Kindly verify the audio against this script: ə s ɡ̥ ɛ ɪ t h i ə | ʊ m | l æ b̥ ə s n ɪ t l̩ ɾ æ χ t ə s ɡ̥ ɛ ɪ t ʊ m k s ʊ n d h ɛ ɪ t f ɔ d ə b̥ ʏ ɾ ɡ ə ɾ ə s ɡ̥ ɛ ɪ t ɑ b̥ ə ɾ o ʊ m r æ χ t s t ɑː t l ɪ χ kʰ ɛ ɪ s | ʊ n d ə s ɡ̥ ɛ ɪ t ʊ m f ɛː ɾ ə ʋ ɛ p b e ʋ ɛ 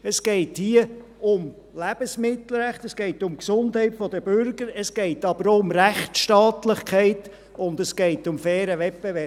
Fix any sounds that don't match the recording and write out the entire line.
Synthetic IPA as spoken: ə s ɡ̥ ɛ ɪ t h i ə | ʊ m | l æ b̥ ə s m ɪ t l̩ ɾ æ χ t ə s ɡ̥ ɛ ɪ t ʊ m k s ʊ n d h ɛ ɪ t f ɔ d ə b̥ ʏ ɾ ɡ ə ɾ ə s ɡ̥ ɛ ɪ t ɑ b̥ ə ɾ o ʊ m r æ χ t ʃ t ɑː t l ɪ χ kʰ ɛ ɪ t | ʊ n d ə s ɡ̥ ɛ ɪ t ʊ m f ɛː ɾ ə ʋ ɛ p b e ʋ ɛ